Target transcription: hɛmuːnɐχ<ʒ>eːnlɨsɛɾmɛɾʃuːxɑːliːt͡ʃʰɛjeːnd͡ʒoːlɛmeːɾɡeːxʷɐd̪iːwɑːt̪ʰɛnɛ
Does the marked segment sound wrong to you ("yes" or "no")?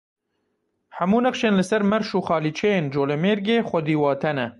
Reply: yes